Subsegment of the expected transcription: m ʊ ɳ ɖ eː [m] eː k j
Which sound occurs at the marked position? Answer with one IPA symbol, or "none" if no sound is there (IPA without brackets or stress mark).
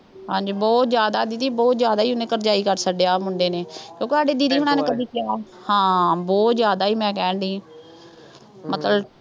n